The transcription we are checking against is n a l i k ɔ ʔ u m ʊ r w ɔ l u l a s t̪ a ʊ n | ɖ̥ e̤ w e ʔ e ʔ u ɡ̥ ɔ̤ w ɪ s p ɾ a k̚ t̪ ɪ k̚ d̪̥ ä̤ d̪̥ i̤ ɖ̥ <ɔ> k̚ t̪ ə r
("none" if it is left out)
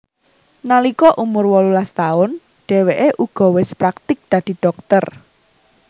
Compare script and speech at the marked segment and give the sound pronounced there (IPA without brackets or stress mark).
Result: ɔ